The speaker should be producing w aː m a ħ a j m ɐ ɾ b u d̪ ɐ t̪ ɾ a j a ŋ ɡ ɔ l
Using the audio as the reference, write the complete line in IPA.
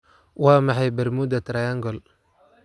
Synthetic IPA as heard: w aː m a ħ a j b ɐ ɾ m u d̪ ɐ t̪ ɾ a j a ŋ ɡ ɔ l